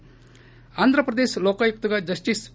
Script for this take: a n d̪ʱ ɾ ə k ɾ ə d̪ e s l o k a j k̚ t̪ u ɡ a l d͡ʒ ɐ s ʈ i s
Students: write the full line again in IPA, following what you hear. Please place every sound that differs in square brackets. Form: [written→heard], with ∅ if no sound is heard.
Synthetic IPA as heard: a n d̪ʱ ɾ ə [k→p] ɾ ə d̪ e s l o k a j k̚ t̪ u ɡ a [l→∅] d͡ʒ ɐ s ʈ i s

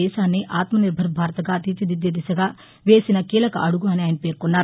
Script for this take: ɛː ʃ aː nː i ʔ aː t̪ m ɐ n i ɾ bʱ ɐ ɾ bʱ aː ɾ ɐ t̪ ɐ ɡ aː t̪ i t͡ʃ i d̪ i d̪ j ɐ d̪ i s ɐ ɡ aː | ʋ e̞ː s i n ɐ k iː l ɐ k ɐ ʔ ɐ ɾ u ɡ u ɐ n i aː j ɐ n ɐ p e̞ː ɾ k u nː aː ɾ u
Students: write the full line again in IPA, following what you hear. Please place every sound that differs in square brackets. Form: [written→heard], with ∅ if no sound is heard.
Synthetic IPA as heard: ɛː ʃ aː nː i ʔ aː t̪ m ɐ n i ɾ bʱ ɐ ɾ bʱ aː ɾ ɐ t̪ ɐ ɡ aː t̪ i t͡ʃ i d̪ i d̪ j ɐ d̪ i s ɐ ɡ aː | ʋ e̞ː s i n ɐ k iː l ɐ k ɐ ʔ ɐ [ɾ→ɽ] u ɡ u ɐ n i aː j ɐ n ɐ p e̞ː ɾ k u nː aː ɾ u

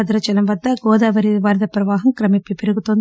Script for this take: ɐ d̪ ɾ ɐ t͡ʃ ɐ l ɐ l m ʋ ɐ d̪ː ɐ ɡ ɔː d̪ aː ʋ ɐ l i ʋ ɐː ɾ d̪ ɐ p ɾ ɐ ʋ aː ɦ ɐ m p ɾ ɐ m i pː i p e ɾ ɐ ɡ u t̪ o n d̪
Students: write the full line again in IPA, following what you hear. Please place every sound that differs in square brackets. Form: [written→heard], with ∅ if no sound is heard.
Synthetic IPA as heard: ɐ d̪ ɾ ɐ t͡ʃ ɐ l ɐ [l→∅] m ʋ ɐ d̪ː ɐ ɡ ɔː d̪ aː ʋ ɐ [l→ɾ] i ʋ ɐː ɾ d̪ ɐ p ɾ ɐ ʋ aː ɦ ɐ m [p→k] ɾ ɐ m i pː i p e ɾ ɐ ɡ u t̪ o n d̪

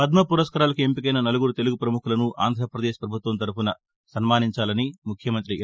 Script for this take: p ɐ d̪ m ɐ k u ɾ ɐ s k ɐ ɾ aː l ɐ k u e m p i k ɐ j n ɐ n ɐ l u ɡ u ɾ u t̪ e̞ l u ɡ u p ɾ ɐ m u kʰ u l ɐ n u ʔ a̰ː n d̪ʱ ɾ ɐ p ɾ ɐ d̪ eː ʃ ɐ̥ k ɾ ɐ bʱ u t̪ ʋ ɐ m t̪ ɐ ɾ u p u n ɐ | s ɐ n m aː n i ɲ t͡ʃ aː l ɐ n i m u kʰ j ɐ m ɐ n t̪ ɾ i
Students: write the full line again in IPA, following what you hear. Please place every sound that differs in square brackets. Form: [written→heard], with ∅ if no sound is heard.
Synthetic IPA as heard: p ɐ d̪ m ɐ [k→p] u ɾ ɐ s k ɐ ɾ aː l ɐ k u e m p i k ɐ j n ɐ n ɐ l u ɡ u ɾ u t̪ e̞ l u ɡ u p ɾ ɐ m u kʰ u l ɐ n u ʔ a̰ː n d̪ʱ ɾ ɐ p ɾ ɐ d̪ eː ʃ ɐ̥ [k→p] ɾ ɐ bʱ u t̪ ʋ ɐ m t̪ ɐ ɾ u p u n ɐ | s ɐ n m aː n i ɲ t͡ʃ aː l ɐ n i m u kʰ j ɐ m ɐ n t̪ ɾ i

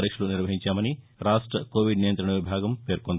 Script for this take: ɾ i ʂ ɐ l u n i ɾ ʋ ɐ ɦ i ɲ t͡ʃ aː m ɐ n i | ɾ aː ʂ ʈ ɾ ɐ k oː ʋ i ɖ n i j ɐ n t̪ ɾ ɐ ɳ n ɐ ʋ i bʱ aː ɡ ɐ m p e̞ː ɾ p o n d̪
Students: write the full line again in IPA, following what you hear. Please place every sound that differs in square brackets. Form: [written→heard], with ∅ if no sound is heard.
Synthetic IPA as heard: ɾ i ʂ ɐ l u n i ɾ ʋ ɐ ɦ i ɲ t͡ʃ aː m ɐ n i | ɾ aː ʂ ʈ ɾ ɐ k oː ʋ i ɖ n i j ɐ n t̪ ɾ ɐ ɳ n ɐ ʋ i bʱ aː ɡ ɐ m p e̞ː ɾ [p→k] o n d̪

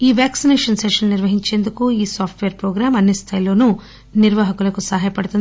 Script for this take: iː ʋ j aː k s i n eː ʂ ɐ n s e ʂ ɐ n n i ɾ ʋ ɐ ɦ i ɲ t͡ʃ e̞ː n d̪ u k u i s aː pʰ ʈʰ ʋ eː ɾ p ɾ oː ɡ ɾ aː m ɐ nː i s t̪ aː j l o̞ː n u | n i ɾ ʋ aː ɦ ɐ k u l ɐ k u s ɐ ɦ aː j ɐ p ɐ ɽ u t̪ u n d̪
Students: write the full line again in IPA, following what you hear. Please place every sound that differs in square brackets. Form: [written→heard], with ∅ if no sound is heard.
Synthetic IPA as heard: iː ʋ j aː k s i n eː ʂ ɐ n s e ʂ ɐ n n i ɾ ʋ ɐ ɦ i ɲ t͡ʃ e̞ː n d̪ u k u [i→iː] s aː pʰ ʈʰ ʋ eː ɾ p ɾ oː ɡ ɾ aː m ɐ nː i s [t̪→t̪ʰ] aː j l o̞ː n u | n i ɾ ʋ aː ɦ ɐ k u l ɐ k u s ɐ ɦ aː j ɐ p ɐ ɽ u t̪ u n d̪

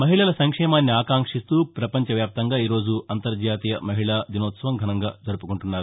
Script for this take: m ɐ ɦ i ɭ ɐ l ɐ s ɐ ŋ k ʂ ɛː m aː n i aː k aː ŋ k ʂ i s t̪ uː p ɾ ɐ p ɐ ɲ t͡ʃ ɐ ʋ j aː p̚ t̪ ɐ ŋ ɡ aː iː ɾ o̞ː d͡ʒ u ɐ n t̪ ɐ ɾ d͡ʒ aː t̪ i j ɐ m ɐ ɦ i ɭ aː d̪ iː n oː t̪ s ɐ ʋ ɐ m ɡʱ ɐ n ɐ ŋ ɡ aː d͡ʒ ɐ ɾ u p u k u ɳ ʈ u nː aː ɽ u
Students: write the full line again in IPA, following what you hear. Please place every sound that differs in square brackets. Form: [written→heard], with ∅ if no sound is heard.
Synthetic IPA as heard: m ɐ ɦ i ɭ ɐ l ɐ s ɐ ŋ k ʂ ɛː m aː [n→nː] i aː k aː ŋ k ʂ i s t̪ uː p ɾ ɐ p ɐ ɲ t͡ʃ ɐ ʋ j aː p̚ t̪ ɐ ŋ ɡ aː iː ɾ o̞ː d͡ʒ u ɐ n t̪ ɐ ɾ d͡ʒ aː t̪ i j ɐ m ɐ ɦ i ɭ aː d̪ [iː→i] n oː t̪ s ɐ ʋ ɐ m ɡʱ ɐ n ɐ ŋ ɡ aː d͡ʒ ɐ ɾ u p u k u ɳ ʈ u nː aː [ɽ→ɾ] u

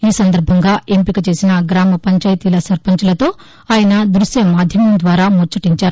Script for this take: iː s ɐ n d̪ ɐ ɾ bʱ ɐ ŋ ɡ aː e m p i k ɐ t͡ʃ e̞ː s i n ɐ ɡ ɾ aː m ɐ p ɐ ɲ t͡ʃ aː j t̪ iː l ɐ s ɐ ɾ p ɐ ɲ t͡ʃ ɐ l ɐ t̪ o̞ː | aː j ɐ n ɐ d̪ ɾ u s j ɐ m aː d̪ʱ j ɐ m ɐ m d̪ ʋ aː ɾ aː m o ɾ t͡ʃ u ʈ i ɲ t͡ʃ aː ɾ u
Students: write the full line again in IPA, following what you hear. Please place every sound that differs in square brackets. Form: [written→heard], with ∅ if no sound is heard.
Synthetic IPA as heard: iː s ɐ n d̪ ɐ ɾ bʱ ɐ ŋ ɡ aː e m p i k ɐ t͡ʃ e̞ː s i n ɐ ɡ ɾ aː m ɐ p ɐ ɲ t͡ʃ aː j t̪ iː l ɐ s ɐ ɾ p ɐ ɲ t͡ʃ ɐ l ɐ t̪ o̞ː | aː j ɐ n ɐ d̪ ɾ u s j ɐ m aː d̪ʱ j ɐ m ɐ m d̪ ʋ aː ɾ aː m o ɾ t͡ʃ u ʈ i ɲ t͡ʃ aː ɾ u

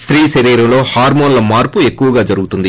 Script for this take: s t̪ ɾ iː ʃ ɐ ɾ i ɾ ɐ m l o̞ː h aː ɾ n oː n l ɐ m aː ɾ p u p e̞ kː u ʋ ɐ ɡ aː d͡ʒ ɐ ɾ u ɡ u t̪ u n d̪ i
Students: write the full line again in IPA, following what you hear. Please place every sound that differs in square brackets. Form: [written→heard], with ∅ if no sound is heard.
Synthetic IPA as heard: s t̪ ɾ iː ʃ ɐ ɾ [i→iː] ɾ ɐ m l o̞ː h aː ɾ [n→m] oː n l ɐ m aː ɾ p u [p→∅] e̞ kː u ʋ ɐ ɡ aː d͡ʒ ɐ ɾ u ɡ u t̪ u n d̪ i

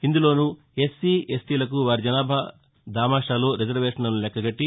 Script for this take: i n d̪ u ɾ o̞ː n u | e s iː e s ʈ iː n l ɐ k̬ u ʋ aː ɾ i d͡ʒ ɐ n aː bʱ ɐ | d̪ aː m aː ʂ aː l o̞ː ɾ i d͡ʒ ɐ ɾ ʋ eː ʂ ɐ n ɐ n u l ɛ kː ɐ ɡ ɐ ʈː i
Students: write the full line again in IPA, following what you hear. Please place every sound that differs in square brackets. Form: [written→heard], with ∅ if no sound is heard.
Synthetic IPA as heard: i n d̪ u [ɾ→l] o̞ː n u | e s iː e s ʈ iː [n→∅] l ɐ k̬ u ʋ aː ɾ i d͡ʒ ɐ n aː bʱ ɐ | d̪ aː m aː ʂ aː l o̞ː ɾ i d͡ʒ ɐ ɾ ʋ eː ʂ ɐ n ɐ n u l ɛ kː ɐ ɡ ɐ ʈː i

